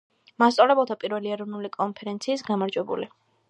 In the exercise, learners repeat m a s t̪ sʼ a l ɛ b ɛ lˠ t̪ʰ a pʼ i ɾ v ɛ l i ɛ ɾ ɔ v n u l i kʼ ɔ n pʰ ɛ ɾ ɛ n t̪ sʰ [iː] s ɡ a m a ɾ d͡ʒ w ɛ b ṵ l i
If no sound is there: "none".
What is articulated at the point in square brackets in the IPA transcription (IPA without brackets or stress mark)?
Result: iː